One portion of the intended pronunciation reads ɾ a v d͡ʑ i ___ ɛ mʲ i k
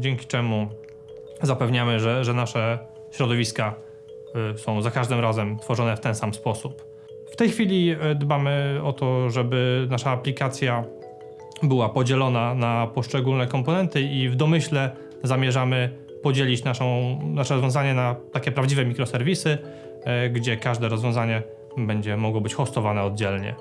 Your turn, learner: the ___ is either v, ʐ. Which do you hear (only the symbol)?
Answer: v